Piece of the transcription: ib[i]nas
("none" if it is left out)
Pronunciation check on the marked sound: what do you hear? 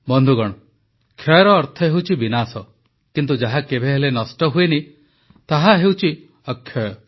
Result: i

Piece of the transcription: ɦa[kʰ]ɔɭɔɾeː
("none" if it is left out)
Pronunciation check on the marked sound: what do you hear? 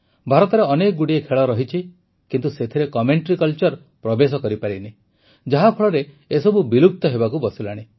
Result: pʰ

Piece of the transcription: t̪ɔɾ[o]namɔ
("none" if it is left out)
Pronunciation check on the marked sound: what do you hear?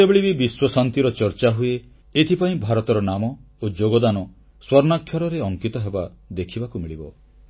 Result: ɔ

